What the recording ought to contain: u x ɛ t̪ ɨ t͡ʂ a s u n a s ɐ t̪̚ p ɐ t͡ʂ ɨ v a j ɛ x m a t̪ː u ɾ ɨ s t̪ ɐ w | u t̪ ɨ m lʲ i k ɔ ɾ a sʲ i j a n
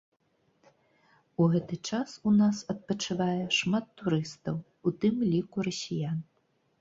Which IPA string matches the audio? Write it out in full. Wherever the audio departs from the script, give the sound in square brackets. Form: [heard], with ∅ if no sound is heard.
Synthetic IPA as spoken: u [ɣ] ɛ t̪ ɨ t͡ʂ a s u n a s ɐ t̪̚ p ɐ t͡ʂ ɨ v a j ɛ [ʂ] m a t̪ː u ɾ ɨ s t̪ ɐ w | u t̪ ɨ m lʲ i k [u] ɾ [ɐ] sʲ i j a n